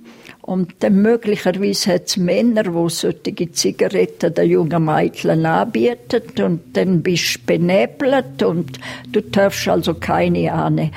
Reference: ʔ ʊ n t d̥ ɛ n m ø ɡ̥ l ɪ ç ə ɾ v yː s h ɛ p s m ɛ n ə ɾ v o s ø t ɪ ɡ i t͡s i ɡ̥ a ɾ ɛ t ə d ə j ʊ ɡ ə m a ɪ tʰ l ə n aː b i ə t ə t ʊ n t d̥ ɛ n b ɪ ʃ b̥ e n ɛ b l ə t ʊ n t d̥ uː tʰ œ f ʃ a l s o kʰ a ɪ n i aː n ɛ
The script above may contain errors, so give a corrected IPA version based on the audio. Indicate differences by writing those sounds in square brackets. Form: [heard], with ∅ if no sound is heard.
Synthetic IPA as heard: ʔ ʊ n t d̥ ɛ n m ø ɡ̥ l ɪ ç ə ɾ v [iː] s h ɛ [t] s m ɛ n ə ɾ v o s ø t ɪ ɡ i t͡s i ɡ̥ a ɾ ɛ t ə d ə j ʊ [ŋ] ə m a ɪ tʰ l ə n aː b i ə t ə t ʊ n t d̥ ɛ n b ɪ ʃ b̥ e n ɛ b l ə t ʊ n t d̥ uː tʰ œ f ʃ a l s o kʰ a ɪ n i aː n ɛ